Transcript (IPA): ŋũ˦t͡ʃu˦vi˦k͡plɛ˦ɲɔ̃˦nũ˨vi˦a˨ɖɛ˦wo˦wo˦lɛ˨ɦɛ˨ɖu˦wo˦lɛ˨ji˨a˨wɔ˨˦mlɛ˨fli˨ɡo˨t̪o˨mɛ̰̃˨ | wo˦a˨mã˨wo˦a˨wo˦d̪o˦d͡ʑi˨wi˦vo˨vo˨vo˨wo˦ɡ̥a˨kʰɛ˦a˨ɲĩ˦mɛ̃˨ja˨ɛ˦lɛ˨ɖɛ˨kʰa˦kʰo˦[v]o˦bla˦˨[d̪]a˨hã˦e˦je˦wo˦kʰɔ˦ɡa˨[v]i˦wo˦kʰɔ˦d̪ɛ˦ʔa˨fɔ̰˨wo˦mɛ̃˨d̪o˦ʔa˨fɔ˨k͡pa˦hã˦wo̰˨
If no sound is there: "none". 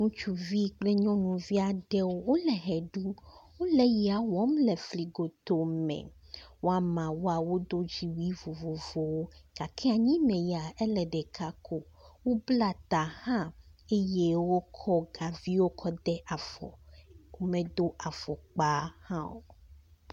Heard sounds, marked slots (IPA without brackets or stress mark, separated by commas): w, t̪, v